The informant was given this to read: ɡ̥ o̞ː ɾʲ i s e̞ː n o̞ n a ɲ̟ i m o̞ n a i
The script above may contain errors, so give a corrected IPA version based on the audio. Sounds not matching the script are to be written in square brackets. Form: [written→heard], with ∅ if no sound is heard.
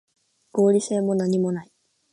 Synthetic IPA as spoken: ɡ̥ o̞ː ɾʲ i s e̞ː [n→m] o̞ n a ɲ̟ i m o̞ n a i